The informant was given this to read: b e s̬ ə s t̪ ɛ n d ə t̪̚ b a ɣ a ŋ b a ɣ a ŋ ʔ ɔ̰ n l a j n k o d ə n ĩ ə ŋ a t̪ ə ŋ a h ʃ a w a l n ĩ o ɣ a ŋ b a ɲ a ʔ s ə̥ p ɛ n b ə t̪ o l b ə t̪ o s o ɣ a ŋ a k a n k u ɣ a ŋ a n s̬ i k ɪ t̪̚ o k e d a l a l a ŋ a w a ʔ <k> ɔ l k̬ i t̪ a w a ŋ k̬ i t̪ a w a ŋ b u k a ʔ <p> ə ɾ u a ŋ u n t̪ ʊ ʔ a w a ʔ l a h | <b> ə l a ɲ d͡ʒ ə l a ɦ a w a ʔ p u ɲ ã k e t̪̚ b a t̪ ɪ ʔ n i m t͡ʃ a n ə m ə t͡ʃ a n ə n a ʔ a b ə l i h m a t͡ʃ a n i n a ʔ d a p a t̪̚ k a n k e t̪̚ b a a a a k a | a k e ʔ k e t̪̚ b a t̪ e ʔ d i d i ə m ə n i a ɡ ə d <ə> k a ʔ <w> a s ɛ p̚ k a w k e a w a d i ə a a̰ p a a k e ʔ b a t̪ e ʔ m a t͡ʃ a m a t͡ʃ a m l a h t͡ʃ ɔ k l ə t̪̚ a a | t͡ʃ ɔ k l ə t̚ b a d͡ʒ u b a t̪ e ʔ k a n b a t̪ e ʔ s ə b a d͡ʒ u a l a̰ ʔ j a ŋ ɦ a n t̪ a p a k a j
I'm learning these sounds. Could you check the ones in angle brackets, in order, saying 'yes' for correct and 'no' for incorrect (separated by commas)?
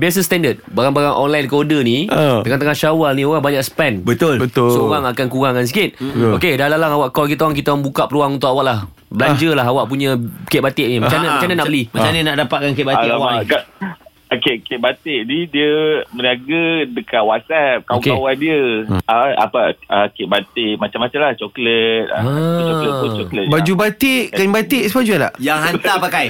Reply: yes, yes, yes, yes, yes